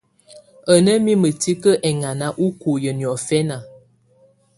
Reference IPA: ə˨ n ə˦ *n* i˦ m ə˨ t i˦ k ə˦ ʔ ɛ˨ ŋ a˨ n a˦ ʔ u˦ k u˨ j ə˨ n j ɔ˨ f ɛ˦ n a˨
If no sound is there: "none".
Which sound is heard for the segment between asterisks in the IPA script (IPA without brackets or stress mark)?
m